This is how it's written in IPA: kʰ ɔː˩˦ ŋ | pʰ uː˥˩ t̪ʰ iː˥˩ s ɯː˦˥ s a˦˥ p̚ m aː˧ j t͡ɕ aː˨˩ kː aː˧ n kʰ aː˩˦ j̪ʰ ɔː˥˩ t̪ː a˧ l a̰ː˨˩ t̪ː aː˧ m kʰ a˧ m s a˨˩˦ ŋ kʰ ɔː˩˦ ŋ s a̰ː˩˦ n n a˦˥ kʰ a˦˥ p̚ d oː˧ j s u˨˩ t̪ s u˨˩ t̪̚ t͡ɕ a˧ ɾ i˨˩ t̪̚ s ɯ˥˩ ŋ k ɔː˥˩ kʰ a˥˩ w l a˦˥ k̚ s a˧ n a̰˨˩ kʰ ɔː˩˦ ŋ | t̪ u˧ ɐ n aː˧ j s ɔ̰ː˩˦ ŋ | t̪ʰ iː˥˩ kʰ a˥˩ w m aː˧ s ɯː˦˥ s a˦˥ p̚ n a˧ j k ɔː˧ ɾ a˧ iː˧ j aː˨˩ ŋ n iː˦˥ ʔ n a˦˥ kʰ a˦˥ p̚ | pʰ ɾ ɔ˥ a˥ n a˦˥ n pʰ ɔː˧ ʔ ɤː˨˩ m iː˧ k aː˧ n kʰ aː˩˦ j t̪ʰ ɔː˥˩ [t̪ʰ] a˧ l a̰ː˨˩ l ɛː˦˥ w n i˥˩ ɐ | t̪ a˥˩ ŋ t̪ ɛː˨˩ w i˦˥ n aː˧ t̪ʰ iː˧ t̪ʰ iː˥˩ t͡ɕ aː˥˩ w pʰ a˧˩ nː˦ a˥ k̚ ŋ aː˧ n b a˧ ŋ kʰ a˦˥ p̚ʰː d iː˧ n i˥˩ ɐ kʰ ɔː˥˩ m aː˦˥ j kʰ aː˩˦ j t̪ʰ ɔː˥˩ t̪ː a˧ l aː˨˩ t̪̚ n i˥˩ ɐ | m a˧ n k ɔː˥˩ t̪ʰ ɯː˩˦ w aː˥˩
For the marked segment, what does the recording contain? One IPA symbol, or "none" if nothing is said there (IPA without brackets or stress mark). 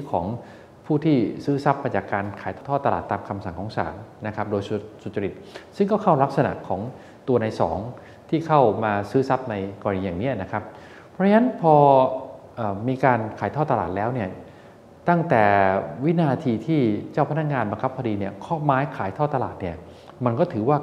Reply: t̪